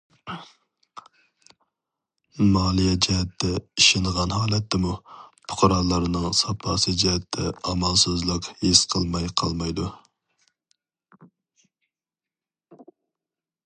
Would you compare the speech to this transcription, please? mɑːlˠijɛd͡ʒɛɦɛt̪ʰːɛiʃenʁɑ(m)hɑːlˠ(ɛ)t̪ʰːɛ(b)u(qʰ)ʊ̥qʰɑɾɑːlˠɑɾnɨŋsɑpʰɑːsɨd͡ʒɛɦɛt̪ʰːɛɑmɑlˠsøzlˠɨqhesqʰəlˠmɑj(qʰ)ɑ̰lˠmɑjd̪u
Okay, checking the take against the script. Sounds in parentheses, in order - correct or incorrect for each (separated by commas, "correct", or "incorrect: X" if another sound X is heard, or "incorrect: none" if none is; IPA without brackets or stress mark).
incorrect: n, correct, incorrect: m, incorrect: pʰ, correct